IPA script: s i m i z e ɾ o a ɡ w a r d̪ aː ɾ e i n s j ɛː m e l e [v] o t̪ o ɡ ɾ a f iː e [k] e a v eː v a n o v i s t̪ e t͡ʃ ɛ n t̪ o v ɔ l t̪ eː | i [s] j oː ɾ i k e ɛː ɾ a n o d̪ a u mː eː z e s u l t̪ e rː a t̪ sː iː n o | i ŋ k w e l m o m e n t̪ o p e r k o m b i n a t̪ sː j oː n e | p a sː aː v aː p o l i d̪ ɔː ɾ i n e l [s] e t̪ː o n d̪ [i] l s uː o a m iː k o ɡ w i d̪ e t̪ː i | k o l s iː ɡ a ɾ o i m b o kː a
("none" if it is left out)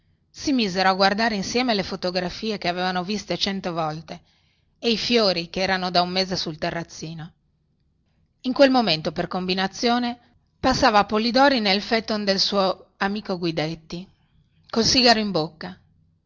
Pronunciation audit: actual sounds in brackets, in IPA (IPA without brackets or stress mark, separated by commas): f, k, f, f, e